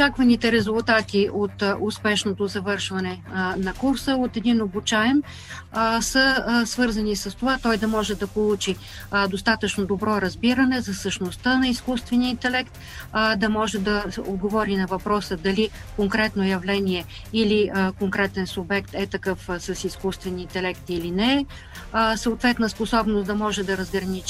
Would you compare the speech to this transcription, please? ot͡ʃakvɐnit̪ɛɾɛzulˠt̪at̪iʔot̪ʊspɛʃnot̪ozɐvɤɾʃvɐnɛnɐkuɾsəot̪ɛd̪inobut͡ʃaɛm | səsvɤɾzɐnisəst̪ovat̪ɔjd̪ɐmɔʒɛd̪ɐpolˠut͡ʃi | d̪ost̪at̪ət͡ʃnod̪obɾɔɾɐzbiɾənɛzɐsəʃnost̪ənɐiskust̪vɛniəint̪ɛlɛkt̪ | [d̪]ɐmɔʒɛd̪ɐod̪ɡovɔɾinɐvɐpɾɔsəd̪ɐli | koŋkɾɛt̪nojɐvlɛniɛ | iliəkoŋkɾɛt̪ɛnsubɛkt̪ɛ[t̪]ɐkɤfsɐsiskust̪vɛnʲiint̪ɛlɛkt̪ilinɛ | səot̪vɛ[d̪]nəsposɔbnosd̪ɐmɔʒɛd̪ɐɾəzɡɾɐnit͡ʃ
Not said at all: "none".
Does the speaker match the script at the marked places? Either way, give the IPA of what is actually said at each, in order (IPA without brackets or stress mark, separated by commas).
d̪, t̪, t̪